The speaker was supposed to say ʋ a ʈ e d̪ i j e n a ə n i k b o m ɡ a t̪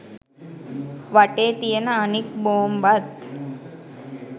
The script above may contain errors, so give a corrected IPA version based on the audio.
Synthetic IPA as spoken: ʋ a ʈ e t̪ i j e n a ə n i k b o m b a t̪